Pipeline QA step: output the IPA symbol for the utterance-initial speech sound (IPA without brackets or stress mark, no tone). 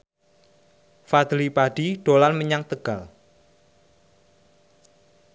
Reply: f